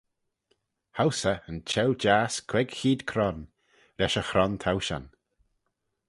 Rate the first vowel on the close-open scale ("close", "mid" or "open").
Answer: open